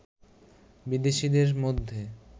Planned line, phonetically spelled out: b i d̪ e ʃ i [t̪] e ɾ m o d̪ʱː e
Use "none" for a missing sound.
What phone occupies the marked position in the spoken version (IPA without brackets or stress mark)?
d̪